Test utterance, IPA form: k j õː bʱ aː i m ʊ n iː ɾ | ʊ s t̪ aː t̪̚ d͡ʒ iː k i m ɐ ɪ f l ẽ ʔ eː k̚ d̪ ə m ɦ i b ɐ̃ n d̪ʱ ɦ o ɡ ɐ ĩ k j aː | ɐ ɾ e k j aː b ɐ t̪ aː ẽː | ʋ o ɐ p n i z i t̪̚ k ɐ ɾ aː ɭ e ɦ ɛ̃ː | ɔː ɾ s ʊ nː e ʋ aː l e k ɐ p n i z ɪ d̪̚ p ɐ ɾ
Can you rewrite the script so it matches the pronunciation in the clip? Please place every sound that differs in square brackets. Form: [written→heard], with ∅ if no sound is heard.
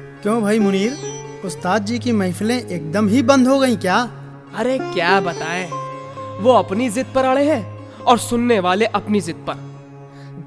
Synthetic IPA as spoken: k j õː bʱ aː i m ʊ n iː ɾ | ʊ s t̪ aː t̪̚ d͡ʒ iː k i m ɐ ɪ f l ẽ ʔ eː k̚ d̪ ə m ɦ i b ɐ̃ n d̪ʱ ɦ o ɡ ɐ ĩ k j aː | ɐ ɾ e k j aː b ɐ t̪ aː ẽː | ʋ o ɐ p n i z [i→ɪ] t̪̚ [k→p] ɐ ɾ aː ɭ e ɦ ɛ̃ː | ɔː ɾ s ʊ nː e ʋ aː l e [k→ʔ] ɐ p n i z ɪ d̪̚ p ɐ ɾ